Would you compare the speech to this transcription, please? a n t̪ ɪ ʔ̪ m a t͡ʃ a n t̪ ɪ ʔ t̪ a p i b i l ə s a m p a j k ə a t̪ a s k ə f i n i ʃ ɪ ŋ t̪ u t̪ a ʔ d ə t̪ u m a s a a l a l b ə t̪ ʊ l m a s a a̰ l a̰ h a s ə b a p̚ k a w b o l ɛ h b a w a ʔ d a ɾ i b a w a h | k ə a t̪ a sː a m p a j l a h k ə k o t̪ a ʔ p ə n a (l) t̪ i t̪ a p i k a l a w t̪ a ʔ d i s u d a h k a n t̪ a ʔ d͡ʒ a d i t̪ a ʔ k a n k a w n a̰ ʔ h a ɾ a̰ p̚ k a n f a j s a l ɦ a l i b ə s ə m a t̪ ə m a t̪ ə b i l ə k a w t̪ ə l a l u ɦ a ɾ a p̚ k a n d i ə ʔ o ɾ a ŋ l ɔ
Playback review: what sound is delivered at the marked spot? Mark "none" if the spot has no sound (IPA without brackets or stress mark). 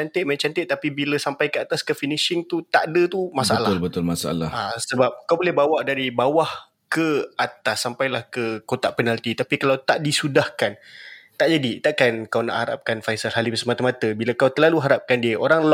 l